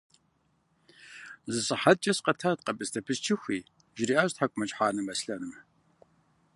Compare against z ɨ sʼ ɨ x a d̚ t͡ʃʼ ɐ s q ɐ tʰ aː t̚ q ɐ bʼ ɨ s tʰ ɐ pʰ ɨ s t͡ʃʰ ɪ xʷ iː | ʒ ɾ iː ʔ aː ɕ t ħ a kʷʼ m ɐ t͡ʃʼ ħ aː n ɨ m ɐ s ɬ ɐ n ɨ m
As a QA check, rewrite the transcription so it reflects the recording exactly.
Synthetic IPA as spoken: z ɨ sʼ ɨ ħ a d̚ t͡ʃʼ ɐ s q ɐ tʰ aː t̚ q ɐ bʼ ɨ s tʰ ɐ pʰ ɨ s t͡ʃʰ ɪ xʷ iː | ʒ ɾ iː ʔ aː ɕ t ħ a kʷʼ m ɐ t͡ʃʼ ħ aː n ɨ m ɐ s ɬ ɐ n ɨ m